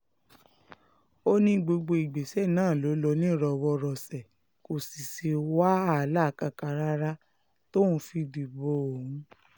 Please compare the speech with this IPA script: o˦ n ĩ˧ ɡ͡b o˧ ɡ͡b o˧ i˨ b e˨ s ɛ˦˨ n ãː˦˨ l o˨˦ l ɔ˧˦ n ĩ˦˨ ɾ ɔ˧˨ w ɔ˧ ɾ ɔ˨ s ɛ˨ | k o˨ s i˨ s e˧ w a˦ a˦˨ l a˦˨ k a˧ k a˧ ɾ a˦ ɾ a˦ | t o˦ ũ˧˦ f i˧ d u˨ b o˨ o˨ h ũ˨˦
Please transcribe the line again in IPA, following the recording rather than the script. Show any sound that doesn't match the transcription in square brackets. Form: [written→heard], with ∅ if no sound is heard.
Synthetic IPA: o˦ n ĩ˧ ɡ͡b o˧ ɡ͡b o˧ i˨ [b→ɡ͡b] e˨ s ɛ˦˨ n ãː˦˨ l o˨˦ l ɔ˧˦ n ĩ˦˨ ɾ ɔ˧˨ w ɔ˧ ɾ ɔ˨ s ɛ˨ | k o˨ s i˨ s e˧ w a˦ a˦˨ l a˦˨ k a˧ k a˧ ɾ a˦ ɾ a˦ | t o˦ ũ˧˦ f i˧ d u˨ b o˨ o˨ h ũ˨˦